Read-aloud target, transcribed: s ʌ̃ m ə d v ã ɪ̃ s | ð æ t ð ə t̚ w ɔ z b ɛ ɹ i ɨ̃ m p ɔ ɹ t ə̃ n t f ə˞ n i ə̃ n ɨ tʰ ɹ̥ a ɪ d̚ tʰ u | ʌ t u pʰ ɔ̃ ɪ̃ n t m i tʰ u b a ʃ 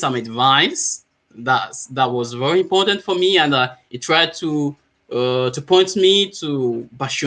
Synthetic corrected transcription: s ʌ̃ m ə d v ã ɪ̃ s | ð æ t ð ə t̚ w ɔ z v ɛ ɹ i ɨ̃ m p ɔ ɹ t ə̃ n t f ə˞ m i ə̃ n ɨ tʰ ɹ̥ a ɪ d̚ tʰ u | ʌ t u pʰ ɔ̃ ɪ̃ n t m i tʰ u b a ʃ